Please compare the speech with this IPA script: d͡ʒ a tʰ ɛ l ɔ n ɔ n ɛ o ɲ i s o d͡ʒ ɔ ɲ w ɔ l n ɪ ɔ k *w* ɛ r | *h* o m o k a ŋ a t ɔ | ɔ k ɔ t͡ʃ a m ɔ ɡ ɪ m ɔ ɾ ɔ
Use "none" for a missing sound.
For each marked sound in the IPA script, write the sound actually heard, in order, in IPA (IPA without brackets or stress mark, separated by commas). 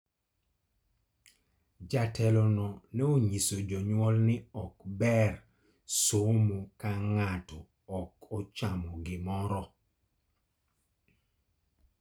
b, s